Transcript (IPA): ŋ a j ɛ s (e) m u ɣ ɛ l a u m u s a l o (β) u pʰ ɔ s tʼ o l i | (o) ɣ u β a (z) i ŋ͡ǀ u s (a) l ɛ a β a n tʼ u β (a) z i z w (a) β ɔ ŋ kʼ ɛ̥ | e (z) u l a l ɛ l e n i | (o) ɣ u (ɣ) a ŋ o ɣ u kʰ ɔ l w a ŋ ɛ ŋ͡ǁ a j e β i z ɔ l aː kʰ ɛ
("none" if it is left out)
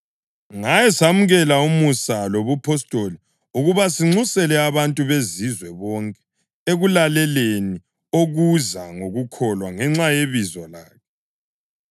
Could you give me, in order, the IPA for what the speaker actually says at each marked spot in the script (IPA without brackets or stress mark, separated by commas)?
a, β, u, s, ɛ, e, ɛ, ɣ, o, z